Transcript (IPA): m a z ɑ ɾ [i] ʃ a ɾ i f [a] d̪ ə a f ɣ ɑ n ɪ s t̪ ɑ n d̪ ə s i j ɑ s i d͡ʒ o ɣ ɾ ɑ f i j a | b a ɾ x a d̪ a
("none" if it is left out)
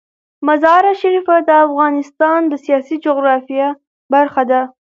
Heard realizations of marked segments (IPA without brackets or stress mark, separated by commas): a, a